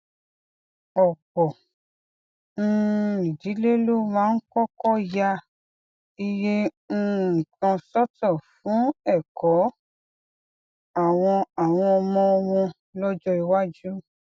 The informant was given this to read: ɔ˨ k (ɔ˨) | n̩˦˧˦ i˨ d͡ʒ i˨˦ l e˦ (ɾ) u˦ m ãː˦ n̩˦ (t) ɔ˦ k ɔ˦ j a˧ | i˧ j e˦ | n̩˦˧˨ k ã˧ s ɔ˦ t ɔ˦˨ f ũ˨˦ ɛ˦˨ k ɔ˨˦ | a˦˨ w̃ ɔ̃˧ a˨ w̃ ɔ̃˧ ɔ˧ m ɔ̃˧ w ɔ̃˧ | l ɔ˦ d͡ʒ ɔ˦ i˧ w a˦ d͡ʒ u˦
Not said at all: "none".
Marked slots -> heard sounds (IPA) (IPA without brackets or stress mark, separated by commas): ɔ˨, l, k